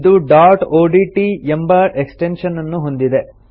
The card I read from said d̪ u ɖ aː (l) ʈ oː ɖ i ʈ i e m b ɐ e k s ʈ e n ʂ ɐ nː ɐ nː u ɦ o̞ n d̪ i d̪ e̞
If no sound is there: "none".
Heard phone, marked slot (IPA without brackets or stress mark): ɾ